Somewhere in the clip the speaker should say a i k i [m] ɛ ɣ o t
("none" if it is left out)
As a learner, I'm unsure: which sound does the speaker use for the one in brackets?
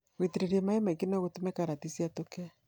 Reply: n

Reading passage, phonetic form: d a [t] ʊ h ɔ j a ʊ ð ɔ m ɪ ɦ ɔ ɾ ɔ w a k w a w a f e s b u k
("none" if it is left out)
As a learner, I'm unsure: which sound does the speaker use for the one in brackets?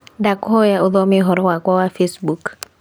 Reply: k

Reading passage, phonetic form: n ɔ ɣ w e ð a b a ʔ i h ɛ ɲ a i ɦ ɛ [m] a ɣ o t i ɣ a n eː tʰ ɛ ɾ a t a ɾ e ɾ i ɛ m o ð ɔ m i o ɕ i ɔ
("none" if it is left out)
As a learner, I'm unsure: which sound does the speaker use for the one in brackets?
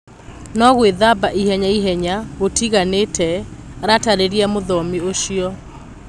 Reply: ɲ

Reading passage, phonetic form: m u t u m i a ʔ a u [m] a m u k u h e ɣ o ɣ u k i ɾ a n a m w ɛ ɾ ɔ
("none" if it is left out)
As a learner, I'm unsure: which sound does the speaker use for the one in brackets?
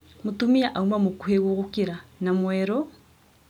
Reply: m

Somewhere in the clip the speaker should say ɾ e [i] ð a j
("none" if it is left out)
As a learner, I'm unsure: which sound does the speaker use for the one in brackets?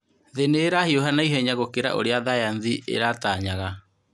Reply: a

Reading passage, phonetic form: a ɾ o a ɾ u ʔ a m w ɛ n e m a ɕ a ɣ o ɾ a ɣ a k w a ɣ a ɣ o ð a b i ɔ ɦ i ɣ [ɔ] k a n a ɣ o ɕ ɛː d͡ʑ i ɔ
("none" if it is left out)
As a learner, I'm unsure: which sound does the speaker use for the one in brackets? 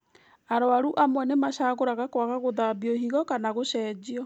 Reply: ɔ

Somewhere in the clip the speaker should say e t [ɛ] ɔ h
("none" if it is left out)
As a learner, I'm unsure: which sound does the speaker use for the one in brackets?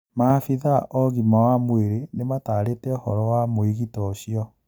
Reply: ɛ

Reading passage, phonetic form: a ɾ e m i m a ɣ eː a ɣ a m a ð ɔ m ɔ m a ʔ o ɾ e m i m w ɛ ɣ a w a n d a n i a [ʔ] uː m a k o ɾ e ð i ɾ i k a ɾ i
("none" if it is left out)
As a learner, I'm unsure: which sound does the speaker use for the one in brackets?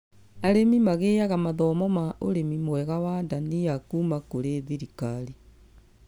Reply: k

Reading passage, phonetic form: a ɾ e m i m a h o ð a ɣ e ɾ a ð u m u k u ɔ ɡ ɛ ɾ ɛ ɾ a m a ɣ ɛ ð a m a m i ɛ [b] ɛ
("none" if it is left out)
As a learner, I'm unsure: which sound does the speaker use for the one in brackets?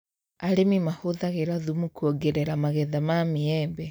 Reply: b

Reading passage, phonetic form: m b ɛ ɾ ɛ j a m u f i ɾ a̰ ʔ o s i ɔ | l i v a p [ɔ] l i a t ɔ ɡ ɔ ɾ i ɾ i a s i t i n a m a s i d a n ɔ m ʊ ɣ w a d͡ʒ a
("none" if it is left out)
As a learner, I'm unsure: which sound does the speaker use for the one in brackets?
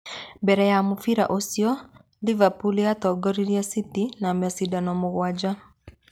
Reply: u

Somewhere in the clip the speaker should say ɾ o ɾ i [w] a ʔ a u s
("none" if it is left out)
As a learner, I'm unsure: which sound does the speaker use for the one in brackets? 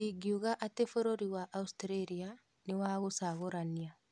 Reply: w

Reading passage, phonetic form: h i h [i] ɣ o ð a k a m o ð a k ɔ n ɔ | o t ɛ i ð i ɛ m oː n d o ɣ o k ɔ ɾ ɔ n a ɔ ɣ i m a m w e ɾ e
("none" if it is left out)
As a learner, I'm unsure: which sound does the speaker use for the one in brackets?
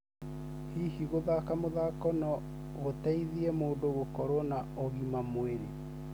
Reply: i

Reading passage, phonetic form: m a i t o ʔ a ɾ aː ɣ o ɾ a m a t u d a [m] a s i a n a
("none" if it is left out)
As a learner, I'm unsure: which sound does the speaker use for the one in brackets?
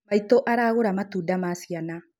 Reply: m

